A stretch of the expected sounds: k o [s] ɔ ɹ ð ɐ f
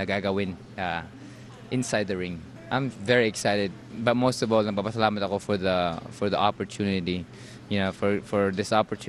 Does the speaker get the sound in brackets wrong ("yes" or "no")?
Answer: yes